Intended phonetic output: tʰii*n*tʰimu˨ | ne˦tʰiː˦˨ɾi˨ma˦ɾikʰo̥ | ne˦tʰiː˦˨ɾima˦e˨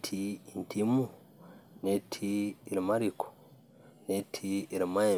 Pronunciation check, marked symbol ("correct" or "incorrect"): correct